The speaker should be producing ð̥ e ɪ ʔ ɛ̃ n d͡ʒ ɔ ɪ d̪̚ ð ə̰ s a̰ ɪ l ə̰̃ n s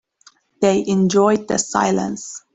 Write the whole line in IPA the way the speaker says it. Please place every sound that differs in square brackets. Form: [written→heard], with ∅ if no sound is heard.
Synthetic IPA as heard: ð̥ e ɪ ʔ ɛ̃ n d͡ʒ ɔ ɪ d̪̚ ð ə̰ s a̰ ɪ l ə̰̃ n s